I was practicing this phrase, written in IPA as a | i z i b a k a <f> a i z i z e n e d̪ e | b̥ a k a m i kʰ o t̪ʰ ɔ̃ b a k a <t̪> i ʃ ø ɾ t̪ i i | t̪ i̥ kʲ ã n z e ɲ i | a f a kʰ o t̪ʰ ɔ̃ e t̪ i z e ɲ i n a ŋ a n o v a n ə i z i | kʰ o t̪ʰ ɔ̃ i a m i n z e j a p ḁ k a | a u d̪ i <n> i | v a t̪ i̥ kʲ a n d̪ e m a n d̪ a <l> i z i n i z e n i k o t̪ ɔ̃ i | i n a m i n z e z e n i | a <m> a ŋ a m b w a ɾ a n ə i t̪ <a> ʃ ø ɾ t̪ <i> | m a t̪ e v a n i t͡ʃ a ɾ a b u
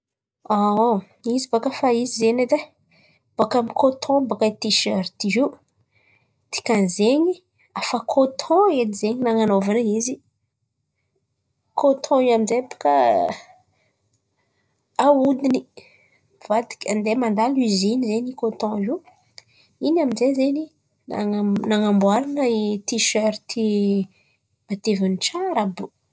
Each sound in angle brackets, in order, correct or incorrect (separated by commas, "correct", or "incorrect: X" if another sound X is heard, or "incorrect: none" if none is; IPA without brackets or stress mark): correct, correct, correct, correct, incorrect: n, incorrect: i, correct